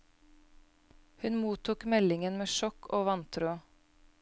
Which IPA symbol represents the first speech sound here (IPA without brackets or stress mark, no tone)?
h